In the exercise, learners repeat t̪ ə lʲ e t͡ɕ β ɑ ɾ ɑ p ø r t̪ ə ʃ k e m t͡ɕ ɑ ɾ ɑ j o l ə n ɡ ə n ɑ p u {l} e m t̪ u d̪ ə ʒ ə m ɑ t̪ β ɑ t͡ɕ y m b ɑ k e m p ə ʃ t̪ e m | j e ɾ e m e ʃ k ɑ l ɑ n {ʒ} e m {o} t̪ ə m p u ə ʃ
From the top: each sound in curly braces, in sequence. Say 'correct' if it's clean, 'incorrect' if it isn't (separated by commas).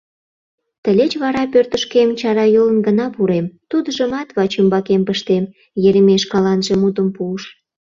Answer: incorrect, correct, incorrect